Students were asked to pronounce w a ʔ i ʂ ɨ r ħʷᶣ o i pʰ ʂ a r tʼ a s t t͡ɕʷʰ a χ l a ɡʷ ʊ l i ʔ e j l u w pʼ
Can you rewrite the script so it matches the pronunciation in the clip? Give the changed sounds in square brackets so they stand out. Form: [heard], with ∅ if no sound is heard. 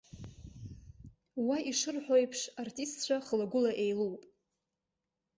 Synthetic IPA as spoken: w a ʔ i ʂ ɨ r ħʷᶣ o [j] pʰ ʂ a r tʼ [i] s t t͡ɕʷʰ a χ l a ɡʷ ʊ l [a] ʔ e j l u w pʼ